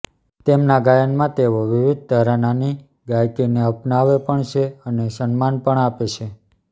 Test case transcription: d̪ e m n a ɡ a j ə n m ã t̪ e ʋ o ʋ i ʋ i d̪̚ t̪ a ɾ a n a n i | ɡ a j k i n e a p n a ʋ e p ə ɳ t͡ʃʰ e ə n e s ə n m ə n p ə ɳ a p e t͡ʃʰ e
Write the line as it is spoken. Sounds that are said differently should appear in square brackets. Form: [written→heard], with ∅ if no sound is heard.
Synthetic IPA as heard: [d̪→t̪] e m n a ɡ a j ə n m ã t̪ e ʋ o ʋ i ʋ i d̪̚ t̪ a ɾ a n a n i | ɡ a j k i n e [a→ə] p n a ʋ e p ə ɳ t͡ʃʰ e ə n e s ə n m [ə→a] n p ə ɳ a p e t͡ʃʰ e